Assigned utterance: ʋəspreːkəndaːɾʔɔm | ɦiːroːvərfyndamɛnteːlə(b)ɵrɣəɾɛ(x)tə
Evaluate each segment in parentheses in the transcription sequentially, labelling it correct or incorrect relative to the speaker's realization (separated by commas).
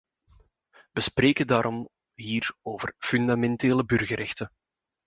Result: correct, correct